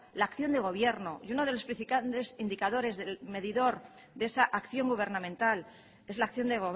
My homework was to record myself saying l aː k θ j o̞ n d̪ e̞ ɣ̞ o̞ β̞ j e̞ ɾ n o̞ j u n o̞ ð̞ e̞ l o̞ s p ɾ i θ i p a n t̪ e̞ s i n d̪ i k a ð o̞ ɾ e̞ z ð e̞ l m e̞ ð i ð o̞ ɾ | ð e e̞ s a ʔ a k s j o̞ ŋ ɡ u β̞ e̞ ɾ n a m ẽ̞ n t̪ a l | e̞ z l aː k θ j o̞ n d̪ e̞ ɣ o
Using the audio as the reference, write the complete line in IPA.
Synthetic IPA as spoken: l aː k θ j o̞ n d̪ e̞ ɣ̞ o̞ β̞ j e̞ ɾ n o̞ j u n o̞ ð̞ e̞ l o̞ s p ɾ i θ i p a n t̪ e̞ s i n d̪ i k a ð o̞ ɾ e̞ z ð e̞ l m e̞ ð i ð o̞ ɾ | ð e e̞ s a ʔ a k θ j o̞ ŋ ɡ u β̞ e̞ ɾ n a m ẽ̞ n t̪ a l | e̞ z l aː k θ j o̞ n d̪ e̞ ɣ o